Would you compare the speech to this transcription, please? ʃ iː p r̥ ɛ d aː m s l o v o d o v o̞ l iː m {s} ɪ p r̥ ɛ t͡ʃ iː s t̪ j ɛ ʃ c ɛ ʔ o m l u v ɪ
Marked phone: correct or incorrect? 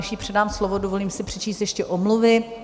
correct